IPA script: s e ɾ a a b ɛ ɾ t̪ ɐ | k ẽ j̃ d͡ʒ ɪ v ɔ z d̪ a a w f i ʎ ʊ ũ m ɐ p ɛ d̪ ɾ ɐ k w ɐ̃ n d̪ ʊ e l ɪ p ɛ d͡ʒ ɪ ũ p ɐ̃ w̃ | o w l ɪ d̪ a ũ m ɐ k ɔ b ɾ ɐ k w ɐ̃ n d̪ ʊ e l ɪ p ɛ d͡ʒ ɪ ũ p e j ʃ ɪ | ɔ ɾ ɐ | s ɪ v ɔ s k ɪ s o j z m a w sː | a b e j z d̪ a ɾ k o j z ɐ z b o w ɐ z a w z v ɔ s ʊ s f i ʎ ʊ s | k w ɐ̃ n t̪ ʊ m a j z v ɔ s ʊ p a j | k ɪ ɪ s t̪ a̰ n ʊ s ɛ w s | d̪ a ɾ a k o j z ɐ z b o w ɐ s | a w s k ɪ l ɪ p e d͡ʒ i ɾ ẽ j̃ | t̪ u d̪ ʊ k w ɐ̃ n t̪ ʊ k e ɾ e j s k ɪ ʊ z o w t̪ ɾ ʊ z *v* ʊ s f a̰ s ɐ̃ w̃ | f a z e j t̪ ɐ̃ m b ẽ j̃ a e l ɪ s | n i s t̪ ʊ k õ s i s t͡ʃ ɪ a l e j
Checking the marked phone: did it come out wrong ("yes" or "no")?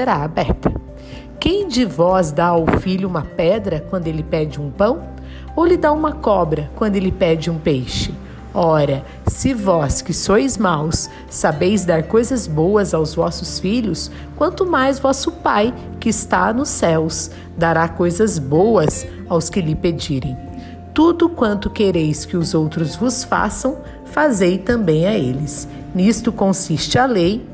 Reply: no